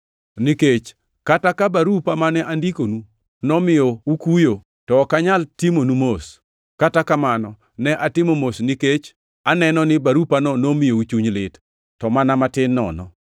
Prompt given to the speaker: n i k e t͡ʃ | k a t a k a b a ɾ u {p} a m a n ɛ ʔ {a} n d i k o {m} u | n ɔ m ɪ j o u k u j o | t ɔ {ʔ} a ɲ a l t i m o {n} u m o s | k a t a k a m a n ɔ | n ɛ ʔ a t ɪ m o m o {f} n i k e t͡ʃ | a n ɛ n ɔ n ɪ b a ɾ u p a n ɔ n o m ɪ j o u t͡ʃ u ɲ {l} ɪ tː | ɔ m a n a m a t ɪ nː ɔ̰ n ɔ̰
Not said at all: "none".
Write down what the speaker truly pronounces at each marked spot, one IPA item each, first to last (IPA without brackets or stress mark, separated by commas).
p, a, n, k, n, s, l